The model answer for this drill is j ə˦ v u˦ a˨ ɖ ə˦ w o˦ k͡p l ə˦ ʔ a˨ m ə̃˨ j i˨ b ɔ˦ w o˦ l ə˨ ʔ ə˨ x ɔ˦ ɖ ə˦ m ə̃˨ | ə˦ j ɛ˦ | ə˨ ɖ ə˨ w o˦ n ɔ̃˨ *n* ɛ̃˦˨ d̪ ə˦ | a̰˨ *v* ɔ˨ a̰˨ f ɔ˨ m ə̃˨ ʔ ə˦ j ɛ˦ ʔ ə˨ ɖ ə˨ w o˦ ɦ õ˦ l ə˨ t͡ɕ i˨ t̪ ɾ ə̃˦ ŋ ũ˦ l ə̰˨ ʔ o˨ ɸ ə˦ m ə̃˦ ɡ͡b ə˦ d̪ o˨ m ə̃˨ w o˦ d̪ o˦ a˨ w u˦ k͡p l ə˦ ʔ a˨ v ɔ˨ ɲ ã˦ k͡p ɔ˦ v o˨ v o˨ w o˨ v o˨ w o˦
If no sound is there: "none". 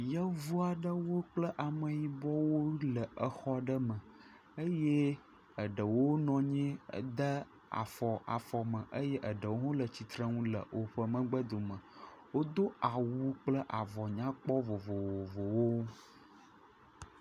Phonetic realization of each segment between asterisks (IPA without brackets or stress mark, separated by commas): ɲ, f